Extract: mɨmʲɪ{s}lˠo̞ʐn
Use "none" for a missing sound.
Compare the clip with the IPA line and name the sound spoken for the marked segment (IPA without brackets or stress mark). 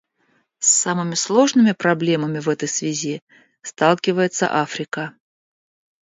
s